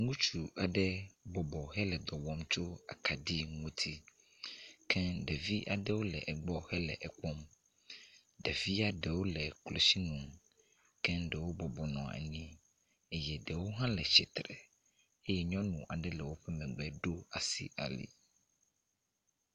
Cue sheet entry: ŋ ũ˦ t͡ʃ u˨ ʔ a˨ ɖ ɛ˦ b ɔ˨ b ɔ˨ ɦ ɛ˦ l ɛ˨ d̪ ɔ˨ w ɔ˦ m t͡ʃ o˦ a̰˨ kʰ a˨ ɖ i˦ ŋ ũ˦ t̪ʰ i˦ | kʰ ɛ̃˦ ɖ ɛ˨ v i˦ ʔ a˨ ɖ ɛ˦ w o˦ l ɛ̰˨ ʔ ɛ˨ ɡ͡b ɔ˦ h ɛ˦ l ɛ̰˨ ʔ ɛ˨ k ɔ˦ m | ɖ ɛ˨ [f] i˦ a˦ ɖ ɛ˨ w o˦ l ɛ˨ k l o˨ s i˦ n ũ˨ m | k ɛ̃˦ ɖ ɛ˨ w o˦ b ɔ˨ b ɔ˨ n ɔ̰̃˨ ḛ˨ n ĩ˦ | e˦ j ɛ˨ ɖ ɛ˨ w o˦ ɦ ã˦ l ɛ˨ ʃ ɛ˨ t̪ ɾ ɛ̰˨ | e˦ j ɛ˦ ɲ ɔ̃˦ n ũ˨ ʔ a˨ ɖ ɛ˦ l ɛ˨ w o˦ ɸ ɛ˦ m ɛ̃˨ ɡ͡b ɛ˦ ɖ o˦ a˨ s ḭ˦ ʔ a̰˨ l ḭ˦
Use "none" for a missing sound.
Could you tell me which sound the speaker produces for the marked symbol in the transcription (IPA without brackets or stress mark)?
v